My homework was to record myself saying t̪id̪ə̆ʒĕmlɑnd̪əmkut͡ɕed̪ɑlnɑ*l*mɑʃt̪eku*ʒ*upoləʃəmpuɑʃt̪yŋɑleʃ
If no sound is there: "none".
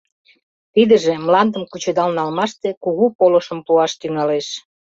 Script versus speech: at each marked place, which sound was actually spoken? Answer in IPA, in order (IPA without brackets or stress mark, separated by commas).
l, ɣ